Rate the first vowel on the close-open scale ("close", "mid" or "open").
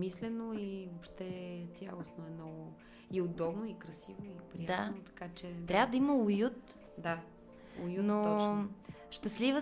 close